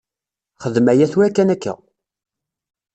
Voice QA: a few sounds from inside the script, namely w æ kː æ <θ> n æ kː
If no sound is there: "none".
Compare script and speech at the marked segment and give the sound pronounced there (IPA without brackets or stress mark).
none